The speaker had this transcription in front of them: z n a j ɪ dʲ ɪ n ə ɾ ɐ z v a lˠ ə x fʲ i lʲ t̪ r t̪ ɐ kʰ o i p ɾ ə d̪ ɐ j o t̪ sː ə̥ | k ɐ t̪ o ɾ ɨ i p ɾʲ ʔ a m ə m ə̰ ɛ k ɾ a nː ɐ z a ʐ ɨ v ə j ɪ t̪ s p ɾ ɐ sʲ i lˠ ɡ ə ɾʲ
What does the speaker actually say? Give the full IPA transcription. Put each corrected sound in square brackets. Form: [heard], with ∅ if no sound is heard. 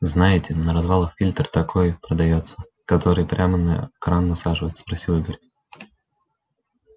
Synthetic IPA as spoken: z n a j ɪ [tʲ] ɪ n ə ɾ ɐ z v a lˠ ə x fʲ i lʲ t̪ r t̪ ɐ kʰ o [j] p ɾ ə d̪ ɐ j o t̪ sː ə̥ | k ɐ t̪ o ɾ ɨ [j] p ɾʲ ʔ a m ə [n] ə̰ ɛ k ɾ a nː ɐ [s] a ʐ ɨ v ə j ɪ t̪ s p ɾ ɐ sʲ i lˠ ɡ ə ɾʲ

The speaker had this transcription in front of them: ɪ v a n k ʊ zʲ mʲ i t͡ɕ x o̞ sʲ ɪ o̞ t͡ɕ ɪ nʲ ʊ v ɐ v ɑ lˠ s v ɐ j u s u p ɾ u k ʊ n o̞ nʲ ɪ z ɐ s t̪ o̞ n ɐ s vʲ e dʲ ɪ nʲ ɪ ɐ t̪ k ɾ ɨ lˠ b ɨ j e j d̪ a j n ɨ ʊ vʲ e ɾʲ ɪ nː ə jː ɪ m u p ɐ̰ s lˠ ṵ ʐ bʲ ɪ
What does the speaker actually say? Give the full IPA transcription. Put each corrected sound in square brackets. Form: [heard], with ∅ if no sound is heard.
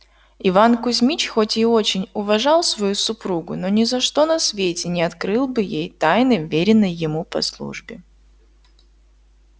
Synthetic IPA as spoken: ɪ v a n k ʊ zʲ mʲ i t͡ɕ x o̞ [tʲ] ɪ o̞ t͡ɕ ɪ nʲ ʊ v ɐ [ʐ] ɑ lˠ s v ɐ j u s [ʊ] p ɾ u [ɡ] ʊ n o̞ nʲ ɪ z ɐ [ʂ] t̪ o̞ n ɐ s vʲ e [tʲ] ɪ nʲ ɪ ɐ t̪ k ɾ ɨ lˠ b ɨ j e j [t̪] a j n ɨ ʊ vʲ e ɾʲ ɪ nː ə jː ɪ m u p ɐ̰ s lˠ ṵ ʐ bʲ ɪ

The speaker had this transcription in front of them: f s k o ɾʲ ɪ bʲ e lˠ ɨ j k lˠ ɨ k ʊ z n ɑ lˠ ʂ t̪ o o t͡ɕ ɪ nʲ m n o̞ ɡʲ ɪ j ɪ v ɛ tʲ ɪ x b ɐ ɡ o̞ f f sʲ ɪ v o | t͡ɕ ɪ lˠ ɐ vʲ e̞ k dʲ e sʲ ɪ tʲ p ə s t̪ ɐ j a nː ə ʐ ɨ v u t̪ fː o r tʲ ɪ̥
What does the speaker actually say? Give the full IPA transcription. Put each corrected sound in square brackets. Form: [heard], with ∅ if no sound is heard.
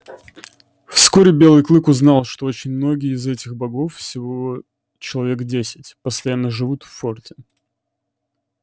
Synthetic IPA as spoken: f s k o ɾʲ ɪ bʲ e lˠ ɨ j k lˠ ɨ k ʊ z n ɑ lˠ ʂ t̪ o o t͡ɕ ɪ nʲ m n o̞ ɡʲ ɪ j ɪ [z] ɛ tʲ ɪ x b ɐ ɡ o̞ f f sʲ ɪ v o | t͡ɕ ɪ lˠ ɐ vʲ e̞ k dʲ e sʲ ɪ tʲ p ə s t̪ ɐ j a nː ə ʐ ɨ v u t̪ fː o r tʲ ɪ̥

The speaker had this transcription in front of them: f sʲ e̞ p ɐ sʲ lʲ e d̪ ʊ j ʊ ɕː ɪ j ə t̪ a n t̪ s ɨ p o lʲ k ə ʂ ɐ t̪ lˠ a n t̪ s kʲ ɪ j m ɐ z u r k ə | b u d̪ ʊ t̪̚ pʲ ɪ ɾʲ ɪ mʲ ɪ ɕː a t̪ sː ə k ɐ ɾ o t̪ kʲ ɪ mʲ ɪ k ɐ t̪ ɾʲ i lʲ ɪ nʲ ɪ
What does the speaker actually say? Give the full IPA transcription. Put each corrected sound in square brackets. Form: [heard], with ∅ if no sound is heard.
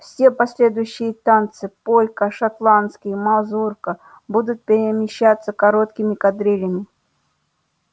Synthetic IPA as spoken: f sʲ e̞ p ɐ sʲ lʲ e d̪ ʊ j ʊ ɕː ɪ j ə t̪ a n t̪ s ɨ p o lʲ k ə ʂ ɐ t̪ lˠ a n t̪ s kʲ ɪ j m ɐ z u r k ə | b u d̪ ʊ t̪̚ pʲ ɪ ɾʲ ɪ mʲ ɪ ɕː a t̪ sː ə k ɐ ɾ o t̪ kʲ ɪ mʲ ɪ k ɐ [d̪] ɾʲ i lʲ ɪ [mʲ] ɪ

